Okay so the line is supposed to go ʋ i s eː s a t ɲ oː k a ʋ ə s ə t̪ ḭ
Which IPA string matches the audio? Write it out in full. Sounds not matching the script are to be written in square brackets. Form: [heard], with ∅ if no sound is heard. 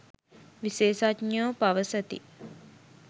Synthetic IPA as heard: ʋ i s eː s a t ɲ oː [p] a ʋ ə s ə t̪ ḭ